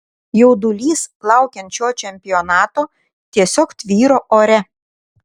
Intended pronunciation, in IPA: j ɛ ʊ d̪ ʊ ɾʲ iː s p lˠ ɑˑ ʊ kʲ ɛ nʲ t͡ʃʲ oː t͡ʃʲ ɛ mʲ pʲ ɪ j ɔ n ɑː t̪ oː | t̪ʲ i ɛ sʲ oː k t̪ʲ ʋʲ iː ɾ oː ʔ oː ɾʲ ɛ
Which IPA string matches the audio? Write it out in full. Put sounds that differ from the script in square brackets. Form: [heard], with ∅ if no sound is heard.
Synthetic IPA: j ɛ ʊ d̪ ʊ [lʲ] iː s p lˠ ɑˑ ʊ kʲ ɛ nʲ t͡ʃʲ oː t͡ʃʲ ɛ mʲ pʲ ɪ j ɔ n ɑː t̪ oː | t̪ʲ i ɛ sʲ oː k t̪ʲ ʋʲ iː ɾ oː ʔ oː ɾʲ ɛ

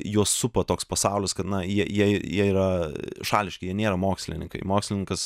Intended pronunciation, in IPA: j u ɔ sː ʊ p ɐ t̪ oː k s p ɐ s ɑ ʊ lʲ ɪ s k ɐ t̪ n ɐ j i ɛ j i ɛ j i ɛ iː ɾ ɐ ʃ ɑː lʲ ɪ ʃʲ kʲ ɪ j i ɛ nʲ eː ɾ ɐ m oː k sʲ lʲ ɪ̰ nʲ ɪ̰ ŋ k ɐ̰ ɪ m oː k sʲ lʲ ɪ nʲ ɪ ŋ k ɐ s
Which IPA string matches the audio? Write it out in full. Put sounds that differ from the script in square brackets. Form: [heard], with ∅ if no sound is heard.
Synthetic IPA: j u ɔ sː ʊ p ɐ t̪ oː k s p ɐ s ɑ ʊ lʲ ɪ s k ɐ t̪ n ɐ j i ɛ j i ɛ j i ɛ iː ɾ ɐ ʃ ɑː lʲ ɪ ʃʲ kʲ ɪ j i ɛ nʲ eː ɾ ɐ m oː k sʲ lʲ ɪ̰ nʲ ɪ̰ ŋ k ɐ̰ ɪ m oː k sʲ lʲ ɪ nʲ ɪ ŋ k ɐ s

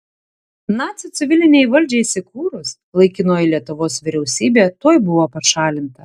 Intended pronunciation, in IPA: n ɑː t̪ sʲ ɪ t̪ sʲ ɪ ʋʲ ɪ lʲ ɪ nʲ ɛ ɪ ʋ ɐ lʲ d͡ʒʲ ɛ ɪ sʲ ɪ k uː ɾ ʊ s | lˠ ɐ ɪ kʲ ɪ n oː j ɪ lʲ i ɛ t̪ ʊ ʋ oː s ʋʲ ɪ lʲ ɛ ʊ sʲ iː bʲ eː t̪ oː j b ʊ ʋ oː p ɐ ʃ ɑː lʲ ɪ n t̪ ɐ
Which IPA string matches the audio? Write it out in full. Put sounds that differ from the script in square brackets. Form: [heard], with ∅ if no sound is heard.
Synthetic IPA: n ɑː t̪ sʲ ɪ t̪ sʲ ɪ ʋʲ ɪ lʲ ɪ nʲ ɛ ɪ ʋ ɐ lʲ d͡ʒʲ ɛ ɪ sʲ ɪ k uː ɾ ʊ s | lˠ ɐ ɪ kʲ ɪ n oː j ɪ lʲ i ɛ t̪ ʊ ʋ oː s ʋʲ ɪ [ɾʲ] ɛ ʊ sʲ iː bʲ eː t̪ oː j b ʊ ʋ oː p ɐ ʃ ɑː lʲ ɪ n t̪ ɐ

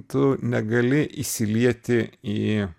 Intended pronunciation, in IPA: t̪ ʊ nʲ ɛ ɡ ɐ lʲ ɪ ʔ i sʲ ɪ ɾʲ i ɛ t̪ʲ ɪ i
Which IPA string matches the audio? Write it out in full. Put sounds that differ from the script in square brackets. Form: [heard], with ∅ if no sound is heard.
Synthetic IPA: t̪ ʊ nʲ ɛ ɡ ɐ lʲ ɪ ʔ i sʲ ɪ [lʲ] i ɛ t̪ʲ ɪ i

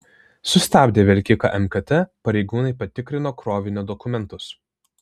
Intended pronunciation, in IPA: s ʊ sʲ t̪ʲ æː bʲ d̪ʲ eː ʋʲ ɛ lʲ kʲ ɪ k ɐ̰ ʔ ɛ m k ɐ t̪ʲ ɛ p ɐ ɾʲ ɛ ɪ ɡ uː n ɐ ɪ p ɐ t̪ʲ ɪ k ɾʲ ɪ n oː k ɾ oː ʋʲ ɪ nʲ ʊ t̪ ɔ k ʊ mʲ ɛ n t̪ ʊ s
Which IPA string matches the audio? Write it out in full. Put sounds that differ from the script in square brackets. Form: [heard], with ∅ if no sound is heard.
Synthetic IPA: s ʊ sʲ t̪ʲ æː bʲ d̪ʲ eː ʋʲ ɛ lʲ kʲ ɪ k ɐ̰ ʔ ɛ m k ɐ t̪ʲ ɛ p ɐ ɾʲ ɛ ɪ ɡ uː n ɐ ɪ p ɐ t̪ʲ ɪ k ɾʲ ɪ n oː k ɾ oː ʋʲ ɪ nʲ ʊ [d̪] ɔ k ʊ mʲ ɛ n t̪ ʊ s

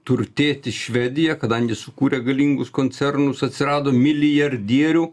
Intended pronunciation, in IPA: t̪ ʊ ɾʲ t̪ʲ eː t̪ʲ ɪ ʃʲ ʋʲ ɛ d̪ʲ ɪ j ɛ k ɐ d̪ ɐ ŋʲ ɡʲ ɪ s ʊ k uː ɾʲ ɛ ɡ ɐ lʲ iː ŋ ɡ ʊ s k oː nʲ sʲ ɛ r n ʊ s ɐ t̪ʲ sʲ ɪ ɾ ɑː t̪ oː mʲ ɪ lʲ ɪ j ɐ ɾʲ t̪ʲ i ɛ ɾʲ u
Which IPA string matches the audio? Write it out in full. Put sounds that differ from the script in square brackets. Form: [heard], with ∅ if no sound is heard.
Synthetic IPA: t̪ ʊ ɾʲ t̪ʲ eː t̪ʲ ɪ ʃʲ ʋʲ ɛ d̪ʲ ɪ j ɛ k ɐ d̪ ɐ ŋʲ ɡʲ ɪ s ʊ k uː ɾʲ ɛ ɡ ɐ lʲ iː ŋ ɡ ʊ s k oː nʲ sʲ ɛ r n ʊ s ɐ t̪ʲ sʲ ɪ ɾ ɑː [d̪] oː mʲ ɪ lʲ ɪ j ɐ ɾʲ [d̪ʲ] i ɛ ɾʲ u

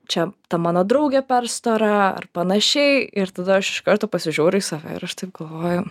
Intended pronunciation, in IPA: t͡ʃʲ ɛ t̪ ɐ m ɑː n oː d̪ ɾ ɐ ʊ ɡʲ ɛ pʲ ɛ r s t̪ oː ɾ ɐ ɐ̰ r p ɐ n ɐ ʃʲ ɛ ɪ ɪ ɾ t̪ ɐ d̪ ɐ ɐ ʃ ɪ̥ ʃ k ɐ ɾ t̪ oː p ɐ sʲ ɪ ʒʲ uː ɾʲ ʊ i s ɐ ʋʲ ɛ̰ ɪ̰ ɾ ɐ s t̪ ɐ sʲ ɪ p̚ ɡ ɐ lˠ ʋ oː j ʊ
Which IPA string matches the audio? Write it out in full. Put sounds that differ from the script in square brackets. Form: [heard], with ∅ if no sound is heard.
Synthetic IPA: t͡ʃʲ ɛ t̪ ɐ m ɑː n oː d̪ ɾ ɐ ʊ ɡʲ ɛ pʲ ɛ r s t̪ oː ɾ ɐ ɐ̰ r p ɐ n ɐ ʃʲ ɛ ɪ ɪ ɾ t̪ ɐ d̪ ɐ ɐ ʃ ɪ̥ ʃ k ɐ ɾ t̪ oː p ɐ sʲ ɪ ʒʲ uː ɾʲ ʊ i s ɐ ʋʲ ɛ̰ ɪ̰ ɾ ɐ [ʃ] t̪ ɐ [∅] ɪ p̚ ɡ ɐ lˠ ʋ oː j ʊ

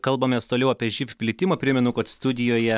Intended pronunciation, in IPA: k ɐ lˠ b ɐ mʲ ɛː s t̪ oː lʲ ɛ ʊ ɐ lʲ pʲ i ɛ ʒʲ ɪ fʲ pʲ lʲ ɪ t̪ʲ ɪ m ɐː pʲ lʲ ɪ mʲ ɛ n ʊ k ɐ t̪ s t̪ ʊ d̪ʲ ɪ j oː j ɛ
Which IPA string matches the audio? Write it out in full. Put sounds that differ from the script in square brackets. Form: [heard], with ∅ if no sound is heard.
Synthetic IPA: k ɐ lˠ b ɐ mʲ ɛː s t̪ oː lʲ ɛ ʊ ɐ [∅] pʲ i ɛ ʒʲ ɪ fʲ pʲ lʲ ɪ t̪ʲ ɪ m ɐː pʲ [ɾʲ] ɪ mʲ ɛ n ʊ k ɐ t̪ s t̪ ʊ d̪ʲ ɪ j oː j ɛ

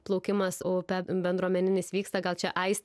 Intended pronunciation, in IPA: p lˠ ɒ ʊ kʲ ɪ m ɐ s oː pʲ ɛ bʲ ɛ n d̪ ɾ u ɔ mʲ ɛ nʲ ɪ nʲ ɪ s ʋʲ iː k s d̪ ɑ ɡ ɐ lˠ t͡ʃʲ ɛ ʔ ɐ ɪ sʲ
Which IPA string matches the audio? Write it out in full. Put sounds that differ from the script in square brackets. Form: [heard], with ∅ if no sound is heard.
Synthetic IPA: p lˠ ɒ ʊ kʲ ɪ m ɐ s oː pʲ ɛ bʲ ɛ n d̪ ɾ u ɔ mʲ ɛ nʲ ɪ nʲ ɪ s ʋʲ iː k s [t̪] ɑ ɡ ɐ lˠ t͡ʃʲ ɛ ʔ ɐ ɪ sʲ

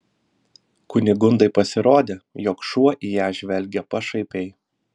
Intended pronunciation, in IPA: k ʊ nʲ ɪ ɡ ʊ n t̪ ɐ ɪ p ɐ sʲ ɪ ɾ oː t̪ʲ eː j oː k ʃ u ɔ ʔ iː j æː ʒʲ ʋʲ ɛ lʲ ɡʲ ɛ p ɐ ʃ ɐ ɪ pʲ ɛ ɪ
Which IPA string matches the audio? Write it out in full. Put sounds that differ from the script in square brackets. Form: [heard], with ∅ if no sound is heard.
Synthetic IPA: k ʊ nʲ ɪ ɡ ʊ n [d̪] ɐ ɪ p ɐ sʲ ɪ ɾ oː [d̪ʲ] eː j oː k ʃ u ɔ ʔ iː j æː ʒʲ ʋʲ ɛ lʲ ɡʲ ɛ p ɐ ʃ ɐ ɪ pʲ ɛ ɪ

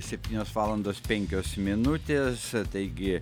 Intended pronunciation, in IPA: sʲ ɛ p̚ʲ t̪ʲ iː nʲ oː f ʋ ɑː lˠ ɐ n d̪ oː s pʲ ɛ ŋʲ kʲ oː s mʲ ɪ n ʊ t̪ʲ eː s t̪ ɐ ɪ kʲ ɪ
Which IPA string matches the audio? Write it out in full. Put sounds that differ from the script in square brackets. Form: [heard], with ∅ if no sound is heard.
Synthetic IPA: sʲ ɛ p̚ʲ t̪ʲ iː nʲ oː [s] ʋ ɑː lˠ ɐ n d̪ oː s pʲ ɛ ŋʲ kʲ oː s mʲ ɪ n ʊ t̪ʲ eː s t̪ ɐ ɪ [ɡʲ] ɪ

